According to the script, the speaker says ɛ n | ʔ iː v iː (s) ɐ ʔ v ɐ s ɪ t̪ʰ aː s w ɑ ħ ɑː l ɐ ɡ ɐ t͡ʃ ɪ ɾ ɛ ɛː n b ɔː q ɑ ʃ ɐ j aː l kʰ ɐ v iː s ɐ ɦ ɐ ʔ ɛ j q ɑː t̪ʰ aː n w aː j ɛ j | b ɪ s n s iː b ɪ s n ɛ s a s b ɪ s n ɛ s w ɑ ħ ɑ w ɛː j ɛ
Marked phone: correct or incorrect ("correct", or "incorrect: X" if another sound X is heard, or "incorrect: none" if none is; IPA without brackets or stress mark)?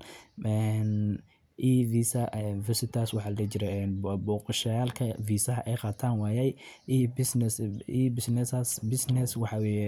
correct